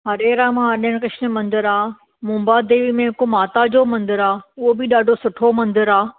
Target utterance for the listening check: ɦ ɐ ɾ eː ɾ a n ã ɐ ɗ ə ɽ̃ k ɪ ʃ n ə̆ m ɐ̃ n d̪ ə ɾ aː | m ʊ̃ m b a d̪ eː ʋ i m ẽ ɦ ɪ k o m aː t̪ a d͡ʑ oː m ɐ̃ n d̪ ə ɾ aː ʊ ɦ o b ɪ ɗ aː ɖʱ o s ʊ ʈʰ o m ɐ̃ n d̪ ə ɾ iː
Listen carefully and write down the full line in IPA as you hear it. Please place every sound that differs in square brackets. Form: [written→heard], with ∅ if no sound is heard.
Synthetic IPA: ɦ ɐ ɾ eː ɾ a [n→m] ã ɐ ɗ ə ɽ̃ k ɪ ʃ n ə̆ m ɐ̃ n d̪ ə ɾ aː | m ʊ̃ m b a d̪ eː ʋ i m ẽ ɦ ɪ k o m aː t̪ a d͡ʑ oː m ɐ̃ n d̪ ə ɾ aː ʊ ɦ o b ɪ ɗ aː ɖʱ o s ʊ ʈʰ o m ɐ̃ n d̪ ə ɾ [iː→aː]